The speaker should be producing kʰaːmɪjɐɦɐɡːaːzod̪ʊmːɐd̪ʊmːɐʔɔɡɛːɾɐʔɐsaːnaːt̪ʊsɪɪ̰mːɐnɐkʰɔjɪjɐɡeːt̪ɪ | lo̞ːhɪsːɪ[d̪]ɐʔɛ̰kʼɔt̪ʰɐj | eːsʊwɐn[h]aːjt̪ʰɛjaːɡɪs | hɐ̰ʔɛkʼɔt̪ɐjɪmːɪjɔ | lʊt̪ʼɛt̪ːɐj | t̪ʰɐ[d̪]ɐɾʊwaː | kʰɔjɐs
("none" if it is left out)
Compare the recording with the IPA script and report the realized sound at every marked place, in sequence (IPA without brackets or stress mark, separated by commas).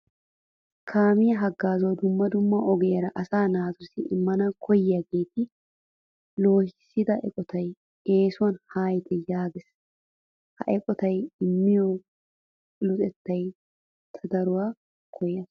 d̪, h, d̪